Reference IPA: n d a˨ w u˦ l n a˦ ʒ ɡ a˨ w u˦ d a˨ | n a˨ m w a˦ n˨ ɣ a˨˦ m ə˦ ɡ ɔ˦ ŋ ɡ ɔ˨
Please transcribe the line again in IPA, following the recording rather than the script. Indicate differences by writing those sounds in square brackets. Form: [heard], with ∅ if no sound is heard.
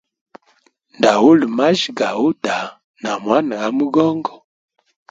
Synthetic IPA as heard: n d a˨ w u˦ l [m] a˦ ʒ ɡ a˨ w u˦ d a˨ | n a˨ m w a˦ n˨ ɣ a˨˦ m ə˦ ɡ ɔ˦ ŋ ɡ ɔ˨